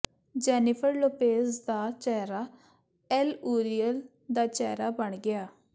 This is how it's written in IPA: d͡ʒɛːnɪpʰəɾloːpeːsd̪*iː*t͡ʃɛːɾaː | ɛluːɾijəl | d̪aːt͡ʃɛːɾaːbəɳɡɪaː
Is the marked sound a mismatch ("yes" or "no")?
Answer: yes